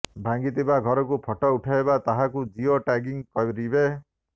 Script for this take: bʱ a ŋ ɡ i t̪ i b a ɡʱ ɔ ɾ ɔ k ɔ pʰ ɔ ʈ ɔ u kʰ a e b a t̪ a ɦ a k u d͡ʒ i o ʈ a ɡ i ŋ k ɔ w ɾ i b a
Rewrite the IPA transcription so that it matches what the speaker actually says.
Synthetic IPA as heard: bʱ a ŋ ɡ i t̪ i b a ɡʱ ɔ ɾ ɔ k u pʰ ɔ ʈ ɔ u ʈʰ a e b a t̪ a ɦ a k u d͡ʒ i o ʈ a ɡ i ŋ k ɔ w ɾ i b e